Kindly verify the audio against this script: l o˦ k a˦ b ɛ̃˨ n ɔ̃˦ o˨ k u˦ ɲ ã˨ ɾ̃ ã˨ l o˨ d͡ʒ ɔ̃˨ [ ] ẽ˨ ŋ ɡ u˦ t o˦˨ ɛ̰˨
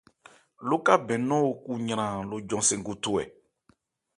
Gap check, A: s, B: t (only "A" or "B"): A